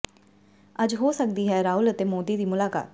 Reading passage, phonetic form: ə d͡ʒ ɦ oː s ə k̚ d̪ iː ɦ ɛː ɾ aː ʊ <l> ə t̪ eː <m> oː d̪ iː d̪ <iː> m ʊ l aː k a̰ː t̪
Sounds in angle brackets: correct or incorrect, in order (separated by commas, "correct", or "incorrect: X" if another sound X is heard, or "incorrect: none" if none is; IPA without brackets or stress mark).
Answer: correct, correct, correct